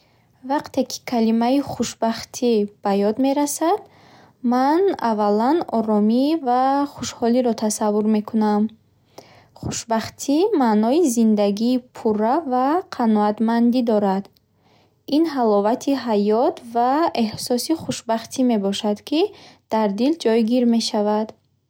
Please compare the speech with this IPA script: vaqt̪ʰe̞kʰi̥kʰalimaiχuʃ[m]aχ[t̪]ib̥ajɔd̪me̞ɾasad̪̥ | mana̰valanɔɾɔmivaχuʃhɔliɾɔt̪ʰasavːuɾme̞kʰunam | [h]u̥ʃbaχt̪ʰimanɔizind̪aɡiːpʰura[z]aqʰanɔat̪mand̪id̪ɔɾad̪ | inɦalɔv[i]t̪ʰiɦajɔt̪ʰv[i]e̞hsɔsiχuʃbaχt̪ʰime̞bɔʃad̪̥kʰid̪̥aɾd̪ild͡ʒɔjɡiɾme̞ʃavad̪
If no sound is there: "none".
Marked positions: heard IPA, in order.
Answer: b, t̪ʰ, χ, v, a, a

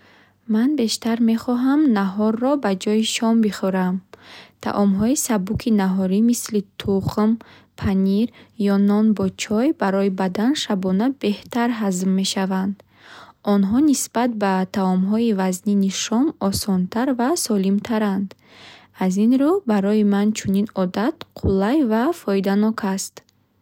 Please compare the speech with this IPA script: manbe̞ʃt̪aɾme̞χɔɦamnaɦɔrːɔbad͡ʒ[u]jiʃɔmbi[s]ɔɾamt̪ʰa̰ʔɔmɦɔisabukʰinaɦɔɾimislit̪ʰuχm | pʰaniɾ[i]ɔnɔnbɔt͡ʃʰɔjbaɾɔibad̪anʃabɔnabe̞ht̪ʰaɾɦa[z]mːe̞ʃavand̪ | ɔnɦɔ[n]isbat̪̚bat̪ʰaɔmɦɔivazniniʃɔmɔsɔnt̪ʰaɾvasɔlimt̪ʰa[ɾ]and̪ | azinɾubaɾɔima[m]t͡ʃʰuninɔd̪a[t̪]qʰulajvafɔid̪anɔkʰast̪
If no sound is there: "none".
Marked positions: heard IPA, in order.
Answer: ɔ, χ, j, z, n, ɾ, n, t̪

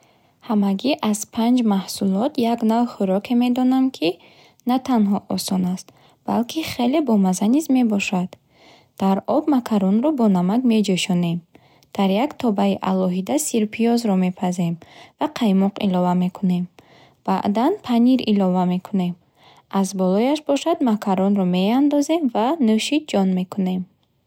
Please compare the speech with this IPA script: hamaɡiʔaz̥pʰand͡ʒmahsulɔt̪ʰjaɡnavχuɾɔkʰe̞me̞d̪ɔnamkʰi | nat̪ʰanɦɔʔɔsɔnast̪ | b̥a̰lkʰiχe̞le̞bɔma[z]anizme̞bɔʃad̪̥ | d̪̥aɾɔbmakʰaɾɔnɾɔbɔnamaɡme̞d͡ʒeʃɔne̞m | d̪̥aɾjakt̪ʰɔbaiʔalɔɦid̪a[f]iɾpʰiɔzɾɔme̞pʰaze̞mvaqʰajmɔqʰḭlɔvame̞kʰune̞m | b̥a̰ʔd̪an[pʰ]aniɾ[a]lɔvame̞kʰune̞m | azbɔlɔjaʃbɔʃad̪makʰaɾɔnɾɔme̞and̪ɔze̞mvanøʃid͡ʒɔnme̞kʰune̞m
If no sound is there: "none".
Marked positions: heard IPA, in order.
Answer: z, s, pʰ, i

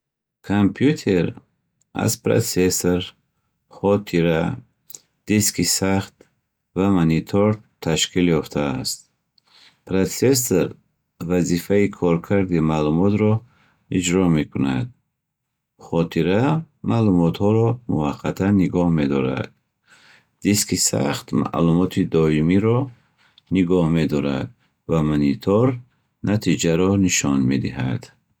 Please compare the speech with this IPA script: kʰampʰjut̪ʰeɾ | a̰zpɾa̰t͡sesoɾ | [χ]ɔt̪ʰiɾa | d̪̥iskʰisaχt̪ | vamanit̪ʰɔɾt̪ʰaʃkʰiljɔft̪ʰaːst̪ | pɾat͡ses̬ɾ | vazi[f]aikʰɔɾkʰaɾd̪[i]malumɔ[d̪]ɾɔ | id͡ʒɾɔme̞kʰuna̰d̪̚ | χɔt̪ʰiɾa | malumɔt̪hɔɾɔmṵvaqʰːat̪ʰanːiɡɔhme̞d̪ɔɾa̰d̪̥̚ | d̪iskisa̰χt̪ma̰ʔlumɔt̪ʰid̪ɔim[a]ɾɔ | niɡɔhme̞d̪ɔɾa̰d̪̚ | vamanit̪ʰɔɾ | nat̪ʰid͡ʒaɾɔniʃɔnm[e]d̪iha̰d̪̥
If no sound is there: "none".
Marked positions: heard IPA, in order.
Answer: χ, f, i, t̪, i, e

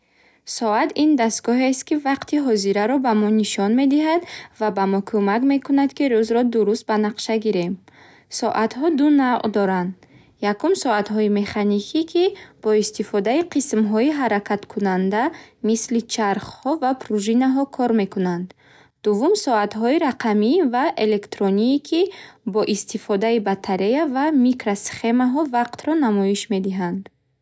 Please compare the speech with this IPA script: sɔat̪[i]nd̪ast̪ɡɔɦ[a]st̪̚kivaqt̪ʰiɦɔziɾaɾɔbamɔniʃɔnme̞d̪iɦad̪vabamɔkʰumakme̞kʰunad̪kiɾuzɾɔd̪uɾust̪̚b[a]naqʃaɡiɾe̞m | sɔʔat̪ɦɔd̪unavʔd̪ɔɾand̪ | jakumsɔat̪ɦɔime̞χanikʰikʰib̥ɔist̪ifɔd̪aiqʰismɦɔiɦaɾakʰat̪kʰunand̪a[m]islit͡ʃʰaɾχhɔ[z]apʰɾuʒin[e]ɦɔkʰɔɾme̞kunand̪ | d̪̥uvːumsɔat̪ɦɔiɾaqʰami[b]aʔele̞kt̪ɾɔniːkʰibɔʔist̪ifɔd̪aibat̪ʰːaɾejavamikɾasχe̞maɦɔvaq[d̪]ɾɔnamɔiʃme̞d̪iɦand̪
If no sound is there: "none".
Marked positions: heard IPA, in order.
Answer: i, e, a, m, v, a, v, t̪

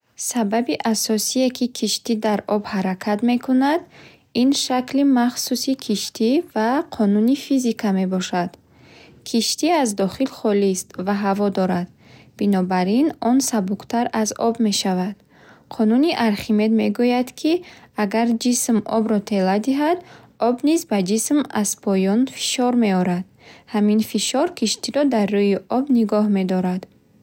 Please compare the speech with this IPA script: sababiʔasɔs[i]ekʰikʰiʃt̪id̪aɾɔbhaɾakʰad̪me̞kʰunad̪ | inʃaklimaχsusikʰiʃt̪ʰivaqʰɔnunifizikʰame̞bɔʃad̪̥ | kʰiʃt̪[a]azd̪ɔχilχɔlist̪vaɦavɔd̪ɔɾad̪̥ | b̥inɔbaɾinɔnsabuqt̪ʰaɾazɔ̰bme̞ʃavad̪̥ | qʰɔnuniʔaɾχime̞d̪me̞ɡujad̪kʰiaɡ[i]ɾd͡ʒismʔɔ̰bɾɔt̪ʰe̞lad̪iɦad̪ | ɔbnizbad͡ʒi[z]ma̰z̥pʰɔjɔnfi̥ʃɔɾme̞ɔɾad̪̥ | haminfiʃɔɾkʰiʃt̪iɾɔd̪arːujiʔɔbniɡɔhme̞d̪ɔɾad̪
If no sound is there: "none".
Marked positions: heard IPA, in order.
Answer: i, i, a, s

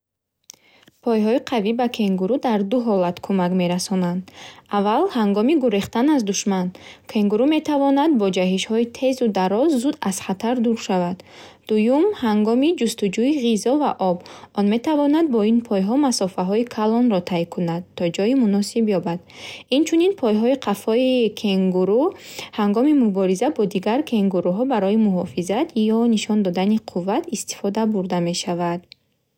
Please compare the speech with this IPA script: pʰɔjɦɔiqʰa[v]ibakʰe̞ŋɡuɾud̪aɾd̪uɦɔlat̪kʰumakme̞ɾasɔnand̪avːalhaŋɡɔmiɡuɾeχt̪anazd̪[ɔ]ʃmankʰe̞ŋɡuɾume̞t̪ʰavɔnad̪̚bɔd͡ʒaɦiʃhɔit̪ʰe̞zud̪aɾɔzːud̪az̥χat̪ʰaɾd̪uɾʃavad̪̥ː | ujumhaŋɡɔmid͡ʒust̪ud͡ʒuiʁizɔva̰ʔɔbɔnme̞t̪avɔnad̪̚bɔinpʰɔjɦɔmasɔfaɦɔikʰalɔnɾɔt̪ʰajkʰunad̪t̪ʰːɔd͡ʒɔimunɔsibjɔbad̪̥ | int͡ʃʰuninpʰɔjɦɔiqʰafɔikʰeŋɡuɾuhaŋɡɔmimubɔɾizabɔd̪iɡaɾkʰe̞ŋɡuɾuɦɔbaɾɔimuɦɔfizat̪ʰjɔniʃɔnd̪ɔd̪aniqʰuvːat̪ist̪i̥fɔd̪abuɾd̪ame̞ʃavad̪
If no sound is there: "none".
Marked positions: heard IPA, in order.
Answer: v, u

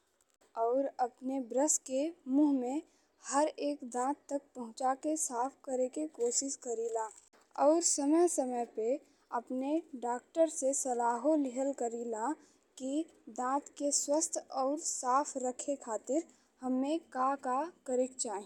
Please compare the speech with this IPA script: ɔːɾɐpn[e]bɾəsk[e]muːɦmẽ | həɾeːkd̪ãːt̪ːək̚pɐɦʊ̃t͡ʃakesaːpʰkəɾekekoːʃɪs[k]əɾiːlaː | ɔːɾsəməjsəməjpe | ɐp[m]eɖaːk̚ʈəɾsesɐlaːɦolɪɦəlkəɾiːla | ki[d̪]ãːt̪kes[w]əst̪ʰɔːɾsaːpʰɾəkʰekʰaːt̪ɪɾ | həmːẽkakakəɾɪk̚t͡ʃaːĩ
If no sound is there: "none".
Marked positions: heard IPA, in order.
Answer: e, e, k, n, d̪, w

